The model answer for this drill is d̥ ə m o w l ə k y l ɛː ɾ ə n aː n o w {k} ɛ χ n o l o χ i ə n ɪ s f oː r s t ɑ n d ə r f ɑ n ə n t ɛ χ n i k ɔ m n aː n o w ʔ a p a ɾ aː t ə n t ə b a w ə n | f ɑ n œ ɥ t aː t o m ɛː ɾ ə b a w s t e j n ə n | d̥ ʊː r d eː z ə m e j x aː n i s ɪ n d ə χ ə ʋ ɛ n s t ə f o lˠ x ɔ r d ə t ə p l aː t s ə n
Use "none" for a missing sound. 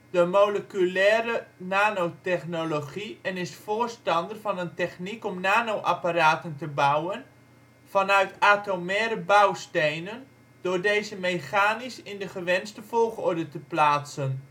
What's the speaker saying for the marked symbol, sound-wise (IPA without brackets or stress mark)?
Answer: t